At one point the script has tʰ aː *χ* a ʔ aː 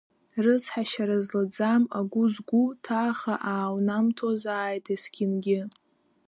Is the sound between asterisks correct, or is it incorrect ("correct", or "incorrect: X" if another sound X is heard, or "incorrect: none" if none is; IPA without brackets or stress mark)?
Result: correct